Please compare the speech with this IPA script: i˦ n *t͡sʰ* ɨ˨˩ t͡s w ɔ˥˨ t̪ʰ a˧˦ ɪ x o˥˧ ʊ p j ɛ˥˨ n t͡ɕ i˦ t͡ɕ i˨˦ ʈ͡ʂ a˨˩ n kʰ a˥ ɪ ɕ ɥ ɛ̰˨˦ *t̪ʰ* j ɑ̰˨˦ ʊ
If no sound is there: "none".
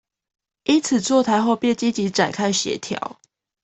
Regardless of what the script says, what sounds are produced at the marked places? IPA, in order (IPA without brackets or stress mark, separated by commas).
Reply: t͡sʰ, t̪ʰ